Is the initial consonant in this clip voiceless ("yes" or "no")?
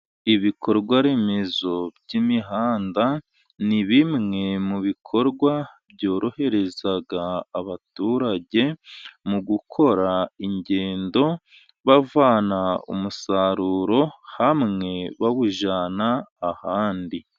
no